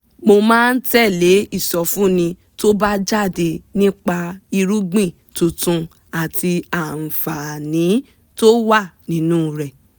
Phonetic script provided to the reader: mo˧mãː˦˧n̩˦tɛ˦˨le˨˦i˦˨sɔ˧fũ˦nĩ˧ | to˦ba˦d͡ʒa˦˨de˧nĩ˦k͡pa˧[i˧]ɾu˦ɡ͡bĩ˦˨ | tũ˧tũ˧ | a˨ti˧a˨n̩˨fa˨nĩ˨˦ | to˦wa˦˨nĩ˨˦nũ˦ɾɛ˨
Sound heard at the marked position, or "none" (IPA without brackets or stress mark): i˧